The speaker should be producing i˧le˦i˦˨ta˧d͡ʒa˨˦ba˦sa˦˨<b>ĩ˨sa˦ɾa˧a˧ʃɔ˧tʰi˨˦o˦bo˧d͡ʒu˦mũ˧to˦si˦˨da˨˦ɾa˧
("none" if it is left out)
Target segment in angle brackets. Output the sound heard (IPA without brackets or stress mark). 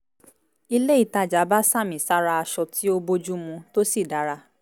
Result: m